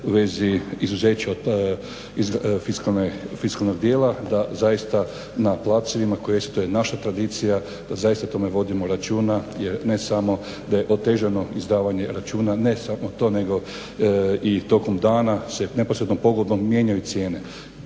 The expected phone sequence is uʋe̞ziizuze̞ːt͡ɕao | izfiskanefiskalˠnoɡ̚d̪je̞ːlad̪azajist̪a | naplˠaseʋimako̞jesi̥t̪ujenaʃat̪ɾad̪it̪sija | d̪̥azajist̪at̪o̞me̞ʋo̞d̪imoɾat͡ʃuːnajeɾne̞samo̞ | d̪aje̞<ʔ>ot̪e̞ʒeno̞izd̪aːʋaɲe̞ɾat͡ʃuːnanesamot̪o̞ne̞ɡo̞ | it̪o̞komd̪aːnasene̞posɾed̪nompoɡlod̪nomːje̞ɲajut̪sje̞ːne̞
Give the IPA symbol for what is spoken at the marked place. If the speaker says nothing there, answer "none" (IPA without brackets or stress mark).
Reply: ʔ